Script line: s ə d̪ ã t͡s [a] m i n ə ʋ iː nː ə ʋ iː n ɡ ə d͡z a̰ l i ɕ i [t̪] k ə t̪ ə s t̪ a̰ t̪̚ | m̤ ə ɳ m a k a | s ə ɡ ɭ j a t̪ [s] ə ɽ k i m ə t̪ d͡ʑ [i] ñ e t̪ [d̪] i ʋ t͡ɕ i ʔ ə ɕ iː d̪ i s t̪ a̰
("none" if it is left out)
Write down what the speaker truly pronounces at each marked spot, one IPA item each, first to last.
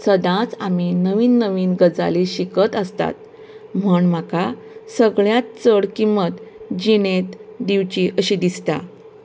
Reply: a, none, t͡s, i, d̪

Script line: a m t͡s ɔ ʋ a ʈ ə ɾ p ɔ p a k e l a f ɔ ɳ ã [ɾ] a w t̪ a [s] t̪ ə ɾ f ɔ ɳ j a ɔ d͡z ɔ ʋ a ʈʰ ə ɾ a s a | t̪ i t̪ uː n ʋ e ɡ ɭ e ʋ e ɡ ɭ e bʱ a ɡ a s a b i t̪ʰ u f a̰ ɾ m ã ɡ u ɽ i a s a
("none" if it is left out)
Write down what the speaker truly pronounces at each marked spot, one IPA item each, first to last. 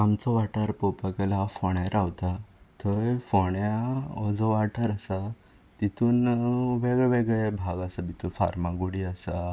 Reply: ɾ, none

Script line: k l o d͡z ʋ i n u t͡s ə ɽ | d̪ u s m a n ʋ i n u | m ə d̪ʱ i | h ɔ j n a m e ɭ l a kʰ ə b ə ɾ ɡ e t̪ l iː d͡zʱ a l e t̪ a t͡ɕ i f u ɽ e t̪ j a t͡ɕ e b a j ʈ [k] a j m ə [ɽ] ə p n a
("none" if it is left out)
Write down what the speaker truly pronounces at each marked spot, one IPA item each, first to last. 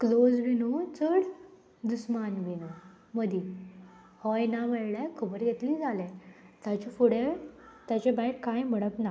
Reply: k, ɽ

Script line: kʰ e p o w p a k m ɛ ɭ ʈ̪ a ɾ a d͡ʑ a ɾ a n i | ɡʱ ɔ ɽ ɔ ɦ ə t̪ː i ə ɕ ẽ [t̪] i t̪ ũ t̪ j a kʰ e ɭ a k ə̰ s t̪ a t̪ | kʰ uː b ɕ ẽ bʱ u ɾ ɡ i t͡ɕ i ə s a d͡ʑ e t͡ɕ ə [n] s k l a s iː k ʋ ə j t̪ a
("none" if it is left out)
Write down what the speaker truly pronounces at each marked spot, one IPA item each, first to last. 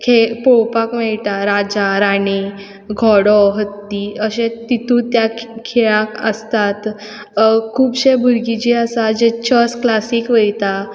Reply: t̪, none

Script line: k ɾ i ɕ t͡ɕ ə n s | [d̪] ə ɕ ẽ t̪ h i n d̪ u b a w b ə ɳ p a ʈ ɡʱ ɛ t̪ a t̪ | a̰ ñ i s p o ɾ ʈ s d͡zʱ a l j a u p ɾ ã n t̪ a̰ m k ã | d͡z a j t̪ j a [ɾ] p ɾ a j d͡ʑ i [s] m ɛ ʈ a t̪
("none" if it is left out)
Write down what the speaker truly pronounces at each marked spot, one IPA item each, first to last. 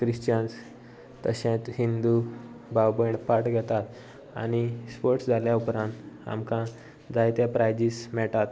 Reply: t̪, none, s

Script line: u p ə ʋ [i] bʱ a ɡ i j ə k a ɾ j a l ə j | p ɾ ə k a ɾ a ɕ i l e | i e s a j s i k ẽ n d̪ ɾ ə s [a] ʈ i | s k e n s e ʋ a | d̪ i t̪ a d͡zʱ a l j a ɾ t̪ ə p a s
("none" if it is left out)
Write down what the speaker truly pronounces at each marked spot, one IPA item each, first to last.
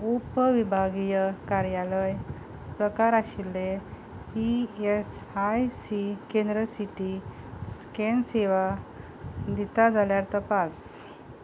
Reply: i, i

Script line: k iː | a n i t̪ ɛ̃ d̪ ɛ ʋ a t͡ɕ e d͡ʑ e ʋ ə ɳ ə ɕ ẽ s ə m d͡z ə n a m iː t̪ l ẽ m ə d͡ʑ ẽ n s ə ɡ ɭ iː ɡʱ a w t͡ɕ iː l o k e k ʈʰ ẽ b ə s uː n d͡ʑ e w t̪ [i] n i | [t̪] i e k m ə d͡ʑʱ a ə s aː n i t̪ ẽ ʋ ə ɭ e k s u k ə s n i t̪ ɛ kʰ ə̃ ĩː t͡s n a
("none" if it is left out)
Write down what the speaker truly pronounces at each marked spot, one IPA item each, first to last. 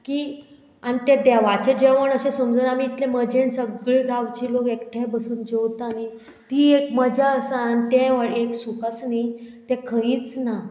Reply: a, t̪

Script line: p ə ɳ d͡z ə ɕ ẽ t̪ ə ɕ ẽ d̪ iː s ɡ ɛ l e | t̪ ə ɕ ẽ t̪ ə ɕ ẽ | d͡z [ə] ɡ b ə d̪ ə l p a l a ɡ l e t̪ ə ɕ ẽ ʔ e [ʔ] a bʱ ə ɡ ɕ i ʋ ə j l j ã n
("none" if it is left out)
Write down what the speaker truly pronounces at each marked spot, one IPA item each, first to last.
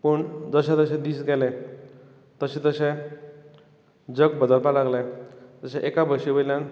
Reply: ə, k

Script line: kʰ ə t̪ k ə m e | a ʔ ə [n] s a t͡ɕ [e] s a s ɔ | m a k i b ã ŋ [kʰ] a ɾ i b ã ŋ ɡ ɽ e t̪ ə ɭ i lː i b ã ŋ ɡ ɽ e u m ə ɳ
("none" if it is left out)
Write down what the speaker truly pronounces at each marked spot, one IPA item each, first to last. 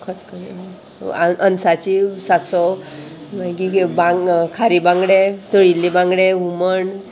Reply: n, i, kʰ

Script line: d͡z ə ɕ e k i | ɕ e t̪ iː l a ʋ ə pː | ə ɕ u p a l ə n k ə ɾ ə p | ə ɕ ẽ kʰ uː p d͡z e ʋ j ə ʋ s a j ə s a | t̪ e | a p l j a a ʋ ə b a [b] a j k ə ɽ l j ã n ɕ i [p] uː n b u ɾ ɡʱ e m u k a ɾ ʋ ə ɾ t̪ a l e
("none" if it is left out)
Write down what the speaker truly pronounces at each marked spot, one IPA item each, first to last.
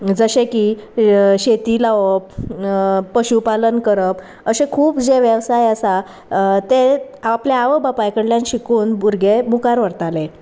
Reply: p, k

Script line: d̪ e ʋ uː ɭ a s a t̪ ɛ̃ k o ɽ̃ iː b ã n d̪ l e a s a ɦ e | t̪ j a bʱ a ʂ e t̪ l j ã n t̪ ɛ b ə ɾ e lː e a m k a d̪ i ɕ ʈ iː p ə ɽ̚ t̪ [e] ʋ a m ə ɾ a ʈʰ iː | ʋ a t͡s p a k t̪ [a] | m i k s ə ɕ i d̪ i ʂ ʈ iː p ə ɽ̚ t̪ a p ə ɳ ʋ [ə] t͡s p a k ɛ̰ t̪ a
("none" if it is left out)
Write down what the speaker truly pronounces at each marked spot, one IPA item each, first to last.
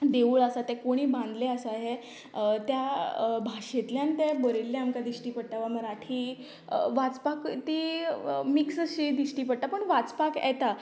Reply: a, i, a

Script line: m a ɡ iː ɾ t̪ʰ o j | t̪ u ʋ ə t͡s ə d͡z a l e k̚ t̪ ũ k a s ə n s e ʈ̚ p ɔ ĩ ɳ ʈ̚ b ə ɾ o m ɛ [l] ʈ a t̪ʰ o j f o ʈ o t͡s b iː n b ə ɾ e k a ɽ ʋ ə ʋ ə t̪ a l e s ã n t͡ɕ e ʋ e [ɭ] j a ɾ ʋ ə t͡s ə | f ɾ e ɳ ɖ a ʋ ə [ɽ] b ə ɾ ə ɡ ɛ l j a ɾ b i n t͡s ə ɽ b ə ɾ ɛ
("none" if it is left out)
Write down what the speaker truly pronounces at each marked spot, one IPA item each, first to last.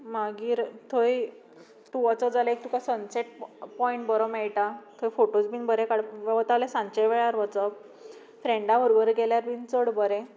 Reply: ɭ, ɭ, ɾ

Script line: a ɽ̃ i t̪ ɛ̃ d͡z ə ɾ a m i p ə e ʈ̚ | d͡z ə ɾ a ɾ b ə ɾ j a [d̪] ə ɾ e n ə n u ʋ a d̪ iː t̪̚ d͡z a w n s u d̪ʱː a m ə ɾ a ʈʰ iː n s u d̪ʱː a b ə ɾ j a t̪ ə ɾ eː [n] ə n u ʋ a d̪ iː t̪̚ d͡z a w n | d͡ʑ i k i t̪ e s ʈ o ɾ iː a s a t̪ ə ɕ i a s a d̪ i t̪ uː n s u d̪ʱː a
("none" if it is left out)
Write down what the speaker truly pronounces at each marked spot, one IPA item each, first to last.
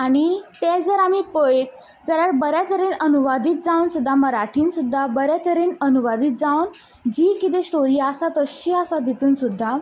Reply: t̪, n

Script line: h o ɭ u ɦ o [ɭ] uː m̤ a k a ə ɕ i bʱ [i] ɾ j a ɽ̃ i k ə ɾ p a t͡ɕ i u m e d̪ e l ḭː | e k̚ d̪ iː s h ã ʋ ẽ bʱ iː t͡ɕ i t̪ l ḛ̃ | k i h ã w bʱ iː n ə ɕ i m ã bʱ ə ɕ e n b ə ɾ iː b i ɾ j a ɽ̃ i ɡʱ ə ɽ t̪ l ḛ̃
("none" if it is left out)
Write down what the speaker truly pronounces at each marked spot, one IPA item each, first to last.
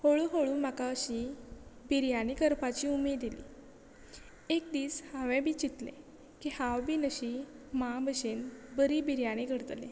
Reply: ɭ, i

